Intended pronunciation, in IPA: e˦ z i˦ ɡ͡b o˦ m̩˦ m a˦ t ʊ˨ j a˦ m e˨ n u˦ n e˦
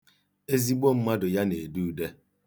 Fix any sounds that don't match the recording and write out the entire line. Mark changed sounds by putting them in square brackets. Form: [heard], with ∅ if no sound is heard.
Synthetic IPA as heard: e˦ z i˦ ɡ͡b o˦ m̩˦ m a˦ [d] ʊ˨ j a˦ [n] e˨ [d] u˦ [d] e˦

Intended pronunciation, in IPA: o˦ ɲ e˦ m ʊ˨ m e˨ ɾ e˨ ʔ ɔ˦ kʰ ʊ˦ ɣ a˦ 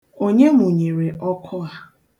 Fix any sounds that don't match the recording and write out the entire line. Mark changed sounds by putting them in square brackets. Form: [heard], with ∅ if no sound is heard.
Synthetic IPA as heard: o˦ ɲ e˦ m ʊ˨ [ɲ] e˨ ɾ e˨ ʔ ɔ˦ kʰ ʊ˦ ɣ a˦

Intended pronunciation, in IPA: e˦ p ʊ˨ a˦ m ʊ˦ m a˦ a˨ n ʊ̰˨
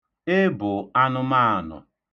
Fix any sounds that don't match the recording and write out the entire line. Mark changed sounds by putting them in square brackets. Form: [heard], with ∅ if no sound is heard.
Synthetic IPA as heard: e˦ [b] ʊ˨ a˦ [n] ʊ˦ m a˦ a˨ n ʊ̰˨

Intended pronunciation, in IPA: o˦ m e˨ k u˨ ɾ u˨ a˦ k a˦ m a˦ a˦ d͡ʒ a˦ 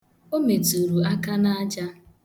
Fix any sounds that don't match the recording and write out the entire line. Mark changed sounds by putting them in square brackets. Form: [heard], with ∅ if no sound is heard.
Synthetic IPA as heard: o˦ m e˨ [t] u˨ ɾ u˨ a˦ k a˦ [n] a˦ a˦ d͡ʒ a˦

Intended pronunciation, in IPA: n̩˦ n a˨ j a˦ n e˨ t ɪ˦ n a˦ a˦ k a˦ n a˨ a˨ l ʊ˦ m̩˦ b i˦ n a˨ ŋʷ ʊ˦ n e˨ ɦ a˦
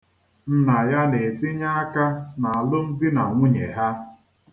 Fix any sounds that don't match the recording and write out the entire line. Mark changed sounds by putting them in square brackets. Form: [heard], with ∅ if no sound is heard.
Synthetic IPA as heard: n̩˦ n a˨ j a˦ n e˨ t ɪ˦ [ɲ] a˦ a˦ k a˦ n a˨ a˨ l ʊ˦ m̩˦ b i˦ n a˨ ŋʷ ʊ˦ [ɲ] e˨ ɦ a˦

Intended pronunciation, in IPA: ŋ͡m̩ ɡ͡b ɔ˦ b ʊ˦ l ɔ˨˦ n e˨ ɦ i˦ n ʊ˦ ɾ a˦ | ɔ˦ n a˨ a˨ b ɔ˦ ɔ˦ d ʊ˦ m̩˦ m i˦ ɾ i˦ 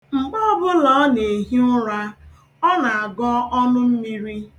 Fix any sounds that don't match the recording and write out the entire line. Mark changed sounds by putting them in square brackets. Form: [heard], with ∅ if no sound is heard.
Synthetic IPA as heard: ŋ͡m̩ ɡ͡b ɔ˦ b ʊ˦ l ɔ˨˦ n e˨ ɦ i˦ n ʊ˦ ɾ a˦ | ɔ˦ n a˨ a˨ [ɡ] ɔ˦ ɔ˦ [n] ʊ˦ m̩˦ m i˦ ɾ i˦

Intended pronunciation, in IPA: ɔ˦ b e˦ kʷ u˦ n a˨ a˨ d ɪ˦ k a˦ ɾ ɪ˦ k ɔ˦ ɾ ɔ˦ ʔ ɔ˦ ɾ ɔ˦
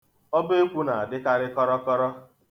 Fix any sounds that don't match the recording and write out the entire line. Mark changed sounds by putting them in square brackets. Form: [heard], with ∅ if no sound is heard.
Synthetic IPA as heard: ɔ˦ b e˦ kʷ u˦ n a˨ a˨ d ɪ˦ k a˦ ɾ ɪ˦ k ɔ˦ ɾ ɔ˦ [k] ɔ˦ ɾ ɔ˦

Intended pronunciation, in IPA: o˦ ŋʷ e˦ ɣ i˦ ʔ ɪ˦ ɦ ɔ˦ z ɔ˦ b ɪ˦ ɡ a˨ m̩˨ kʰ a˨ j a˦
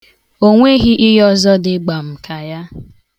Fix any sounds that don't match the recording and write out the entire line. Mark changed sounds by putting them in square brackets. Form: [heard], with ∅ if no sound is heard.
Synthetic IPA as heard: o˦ ŋʷ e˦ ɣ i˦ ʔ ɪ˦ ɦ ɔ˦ z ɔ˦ [d] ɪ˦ [ɡ͡b] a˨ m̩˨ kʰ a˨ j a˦

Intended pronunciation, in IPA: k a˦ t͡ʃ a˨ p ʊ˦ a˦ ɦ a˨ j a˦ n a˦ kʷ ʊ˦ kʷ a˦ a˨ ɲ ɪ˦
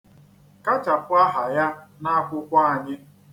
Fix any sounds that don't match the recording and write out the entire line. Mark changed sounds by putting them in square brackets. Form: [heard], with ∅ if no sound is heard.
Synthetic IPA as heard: k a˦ t͡ʃ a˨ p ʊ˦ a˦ ɦ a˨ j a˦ n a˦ kʷ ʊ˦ kʷ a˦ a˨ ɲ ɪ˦

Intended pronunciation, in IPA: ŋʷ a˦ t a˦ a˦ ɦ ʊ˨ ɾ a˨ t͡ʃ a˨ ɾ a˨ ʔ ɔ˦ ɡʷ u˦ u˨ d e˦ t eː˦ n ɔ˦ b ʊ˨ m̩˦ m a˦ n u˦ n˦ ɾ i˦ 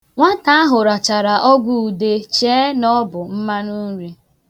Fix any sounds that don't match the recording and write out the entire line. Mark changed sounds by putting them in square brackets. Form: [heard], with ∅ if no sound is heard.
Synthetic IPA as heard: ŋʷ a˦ t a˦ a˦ ɦ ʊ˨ ɾ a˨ t͡ʃ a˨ ɾ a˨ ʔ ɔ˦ ɡʷ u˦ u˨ d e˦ [t͡ʃ] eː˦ n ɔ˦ b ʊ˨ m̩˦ m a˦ n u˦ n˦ ɾ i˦

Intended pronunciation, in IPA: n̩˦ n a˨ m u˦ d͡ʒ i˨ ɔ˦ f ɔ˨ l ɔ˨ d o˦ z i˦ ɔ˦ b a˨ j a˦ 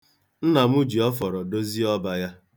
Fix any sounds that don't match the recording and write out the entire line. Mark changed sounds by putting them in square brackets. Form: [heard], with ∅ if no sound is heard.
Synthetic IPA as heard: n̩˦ n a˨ m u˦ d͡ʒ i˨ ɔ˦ f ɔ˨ [ɾ] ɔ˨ d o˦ z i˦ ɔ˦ b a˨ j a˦

